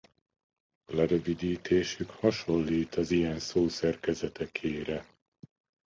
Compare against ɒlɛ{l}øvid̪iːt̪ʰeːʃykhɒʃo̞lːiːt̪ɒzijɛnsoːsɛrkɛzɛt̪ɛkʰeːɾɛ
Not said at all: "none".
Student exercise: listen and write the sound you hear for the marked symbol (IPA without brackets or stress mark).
ɾ